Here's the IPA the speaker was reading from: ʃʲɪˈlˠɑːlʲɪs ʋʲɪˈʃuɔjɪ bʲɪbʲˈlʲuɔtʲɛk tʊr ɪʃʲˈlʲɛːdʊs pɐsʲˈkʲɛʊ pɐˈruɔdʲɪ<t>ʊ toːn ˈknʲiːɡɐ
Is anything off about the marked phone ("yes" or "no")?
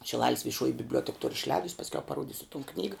yes